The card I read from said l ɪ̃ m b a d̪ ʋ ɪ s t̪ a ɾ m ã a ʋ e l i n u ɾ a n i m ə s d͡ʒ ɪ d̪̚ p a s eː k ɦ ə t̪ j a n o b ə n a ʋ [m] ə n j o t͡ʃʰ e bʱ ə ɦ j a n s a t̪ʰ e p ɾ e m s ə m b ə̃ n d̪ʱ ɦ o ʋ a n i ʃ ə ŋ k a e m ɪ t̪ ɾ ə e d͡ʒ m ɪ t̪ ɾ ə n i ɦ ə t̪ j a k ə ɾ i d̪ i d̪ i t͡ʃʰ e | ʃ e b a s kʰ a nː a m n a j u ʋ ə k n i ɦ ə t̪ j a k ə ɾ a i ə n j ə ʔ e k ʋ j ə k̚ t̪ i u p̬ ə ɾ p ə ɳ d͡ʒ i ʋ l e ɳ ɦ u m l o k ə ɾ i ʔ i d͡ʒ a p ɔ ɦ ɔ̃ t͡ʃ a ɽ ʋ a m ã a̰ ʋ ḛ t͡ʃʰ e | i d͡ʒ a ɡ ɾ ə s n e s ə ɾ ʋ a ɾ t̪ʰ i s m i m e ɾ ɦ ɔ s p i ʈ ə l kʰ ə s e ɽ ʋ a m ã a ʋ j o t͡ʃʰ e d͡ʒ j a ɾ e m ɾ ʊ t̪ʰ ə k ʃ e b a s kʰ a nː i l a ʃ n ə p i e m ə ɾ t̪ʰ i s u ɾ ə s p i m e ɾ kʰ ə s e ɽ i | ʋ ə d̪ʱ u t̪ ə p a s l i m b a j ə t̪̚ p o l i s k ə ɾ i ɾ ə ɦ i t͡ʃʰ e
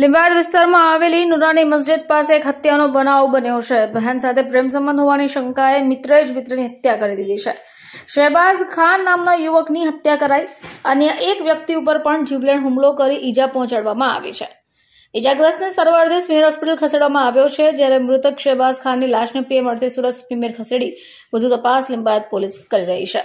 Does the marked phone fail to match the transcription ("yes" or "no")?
yes